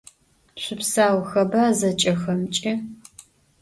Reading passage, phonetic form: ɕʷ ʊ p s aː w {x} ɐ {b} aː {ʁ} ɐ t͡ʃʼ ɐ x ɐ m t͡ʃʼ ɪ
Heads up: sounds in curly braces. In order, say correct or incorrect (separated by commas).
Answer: correct, correct, incorrect